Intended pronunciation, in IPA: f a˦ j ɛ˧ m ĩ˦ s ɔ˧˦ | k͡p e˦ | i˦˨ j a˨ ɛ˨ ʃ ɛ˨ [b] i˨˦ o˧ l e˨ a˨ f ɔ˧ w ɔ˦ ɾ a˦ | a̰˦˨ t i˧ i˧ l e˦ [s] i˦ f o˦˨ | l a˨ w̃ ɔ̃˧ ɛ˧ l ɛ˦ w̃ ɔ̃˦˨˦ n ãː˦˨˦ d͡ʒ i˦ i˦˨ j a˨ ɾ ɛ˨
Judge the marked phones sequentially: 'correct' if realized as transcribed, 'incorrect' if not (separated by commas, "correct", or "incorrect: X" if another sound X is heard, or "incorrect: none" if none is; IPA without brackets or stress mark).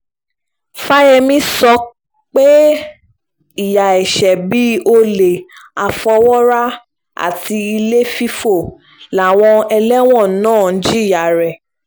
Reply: correct, incorrect: f